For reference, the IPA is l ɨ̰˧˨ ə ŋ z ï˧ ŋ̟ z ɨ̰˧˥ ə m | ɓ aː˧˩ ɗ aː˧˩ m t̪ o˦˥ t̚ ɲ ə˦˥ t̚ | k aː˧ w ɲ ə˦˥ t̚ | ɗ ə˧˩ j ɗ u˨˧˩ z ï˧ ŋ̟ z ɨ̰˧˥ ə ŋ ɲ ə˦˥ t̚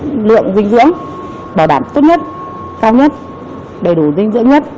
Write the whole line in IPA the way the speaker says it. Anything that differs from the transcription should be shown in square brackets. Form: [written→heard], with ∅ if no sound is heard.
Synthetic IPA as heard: l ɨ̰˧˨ ə ŋ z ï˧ ŋ̟ z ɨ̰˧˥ ə [m→ŋ] | ɓ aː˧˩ ɗ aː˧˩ m t̪ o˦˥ t̚ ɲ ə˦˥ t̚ | k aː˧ w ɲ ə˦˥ t̚ | ɗ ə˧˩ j ɗ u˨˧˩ z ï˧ ŋ̟ z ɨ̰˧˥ ə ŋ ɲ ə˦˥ t̚